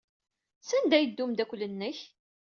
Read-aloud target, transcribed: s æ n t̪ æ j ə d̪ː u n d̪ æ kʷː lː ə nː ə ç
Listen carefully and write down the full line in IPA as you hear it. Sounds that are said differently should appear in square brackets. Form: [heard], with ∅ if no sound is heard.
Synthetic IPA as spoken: s æ n [d̪] æ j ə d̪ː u [m] d̪ æ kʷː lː ə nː ə ç